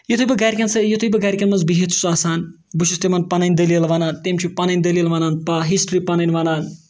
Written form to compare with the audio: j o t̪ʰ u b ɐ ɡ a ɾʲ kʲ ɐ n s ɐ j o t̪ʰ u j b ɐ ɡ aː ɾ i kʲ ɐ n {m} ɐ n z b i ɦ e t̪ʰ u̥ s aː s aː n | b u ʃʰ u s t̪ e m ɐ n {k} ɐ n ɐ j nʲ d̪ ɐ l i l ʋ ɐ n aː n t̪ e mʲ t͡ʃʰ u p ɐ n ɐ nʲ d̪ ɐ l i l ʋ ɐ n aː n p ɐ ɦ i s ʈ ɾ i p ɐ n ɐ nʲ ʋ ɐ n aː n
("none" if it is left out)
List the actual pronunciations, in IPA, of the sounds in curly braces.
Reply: m, p

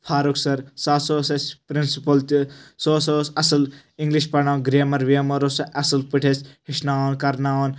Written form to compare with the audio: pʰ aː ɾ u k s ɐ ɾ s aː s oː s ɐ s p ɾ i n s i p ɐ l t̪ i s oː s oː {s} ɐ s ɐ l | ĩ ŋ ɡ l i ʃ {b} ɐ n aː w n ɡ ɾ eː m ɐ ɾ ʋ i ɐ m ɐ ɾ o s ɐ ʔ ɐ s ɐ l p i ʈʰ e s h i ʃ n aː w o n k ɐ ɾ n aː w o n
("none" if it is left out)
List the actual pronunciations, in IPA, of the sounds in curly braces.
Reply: s, p

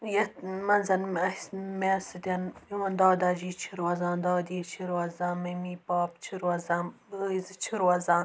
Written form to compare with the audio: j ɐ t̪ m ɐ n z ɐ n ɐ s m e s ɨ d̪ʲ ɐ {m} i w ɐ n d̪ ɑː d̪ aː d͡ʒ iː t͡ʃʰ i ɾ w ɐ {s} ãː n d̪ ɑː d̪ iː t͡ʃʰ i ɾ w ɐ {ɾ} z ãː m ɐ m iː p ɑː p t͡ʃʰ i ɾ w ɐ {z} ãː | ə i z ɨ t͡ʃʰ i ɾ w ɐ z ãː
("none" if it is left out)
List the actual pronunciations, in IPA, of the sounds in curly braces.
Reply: n, z, none, z

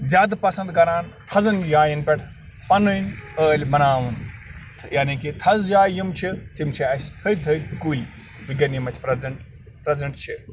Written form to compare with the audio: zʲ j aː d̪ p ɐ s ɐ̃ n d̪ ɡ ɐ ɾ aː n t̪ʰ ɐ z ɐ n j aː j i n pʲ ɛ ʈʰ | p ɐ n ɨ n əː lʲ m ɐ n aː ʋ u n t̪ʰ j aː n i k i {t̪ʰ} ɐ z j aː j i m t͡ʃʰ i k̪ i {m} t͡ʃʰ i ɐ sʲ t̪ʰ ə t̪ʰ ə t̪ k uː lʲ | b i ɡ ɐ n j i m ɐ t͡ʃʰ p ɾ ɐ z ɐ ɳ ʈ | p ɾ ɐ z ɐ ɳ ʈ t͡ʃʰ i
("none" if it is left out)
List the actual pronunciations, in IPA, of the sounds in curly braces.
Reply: t̪ʰ, m

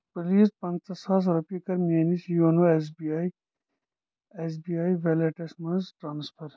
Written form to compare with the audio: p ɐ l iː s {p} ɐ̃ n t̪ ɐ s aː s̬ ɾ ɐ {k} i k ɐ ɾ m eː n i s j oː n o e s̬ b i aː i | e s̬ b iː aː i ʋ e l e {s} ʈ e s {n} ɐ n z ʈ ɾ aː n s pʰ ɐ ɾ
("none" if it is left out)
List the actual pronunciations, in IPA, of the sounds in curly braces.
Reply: p, p, none, m

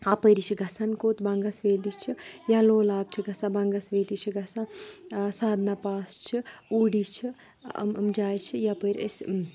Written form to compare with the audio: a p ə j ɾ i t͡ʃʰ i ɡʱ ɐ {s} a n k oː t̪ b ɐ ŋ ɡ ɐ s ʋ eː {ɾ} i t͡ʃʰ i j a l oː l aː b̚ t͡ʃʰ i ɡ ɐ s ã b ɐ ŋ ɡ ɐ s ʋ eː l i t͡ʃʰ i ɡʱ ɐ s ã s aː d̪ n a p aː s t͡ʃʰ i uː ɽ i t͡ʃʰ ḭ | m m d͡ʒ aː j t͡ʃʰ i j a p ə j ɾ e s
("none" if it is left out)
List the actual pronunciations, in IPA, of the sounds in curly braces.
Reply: s, l

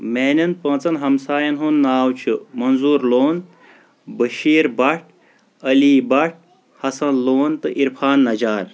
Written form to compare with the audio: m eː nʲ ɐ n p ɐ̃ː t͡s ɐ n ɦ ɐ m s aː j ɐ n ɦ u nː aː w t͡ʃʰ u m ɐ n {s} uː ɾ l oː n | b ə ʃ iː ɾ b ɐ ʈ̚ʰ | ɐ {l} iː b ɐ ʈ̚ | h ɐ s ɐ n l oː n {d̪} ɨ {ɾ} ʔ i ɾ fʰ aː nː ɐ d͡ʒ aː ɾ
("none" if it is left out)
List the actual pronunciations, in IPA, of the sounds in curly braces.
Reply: z, l, t̪, none

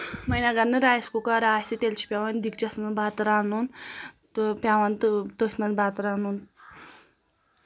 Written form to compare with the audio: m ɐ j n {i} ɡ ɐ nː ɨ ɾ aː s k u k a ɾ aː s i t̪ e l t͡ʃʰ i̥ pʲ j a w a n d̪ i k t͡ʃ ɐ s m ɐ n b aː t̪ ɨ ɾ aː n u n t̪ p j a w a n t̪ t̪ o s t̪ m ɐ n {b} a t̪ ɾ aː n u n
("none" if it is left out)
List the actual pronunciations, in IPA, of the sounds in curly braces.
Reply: a, b

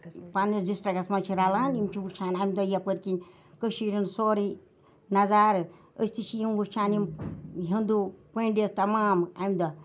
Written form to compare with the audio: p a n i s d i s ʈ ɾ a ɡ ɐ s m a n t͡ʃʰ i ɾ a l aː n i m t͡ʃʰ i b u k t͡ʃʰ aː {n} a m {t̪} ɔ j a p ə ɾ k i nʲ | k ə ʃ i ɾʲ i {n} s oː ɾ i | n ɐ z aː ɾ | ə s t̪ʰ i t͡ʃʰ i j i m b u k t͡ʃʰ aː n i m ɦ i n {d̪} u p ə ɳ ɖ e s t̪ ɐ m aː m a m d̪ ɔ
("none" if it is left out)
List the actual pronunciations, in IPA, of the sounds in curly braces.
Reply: n, d̪, n, d̪

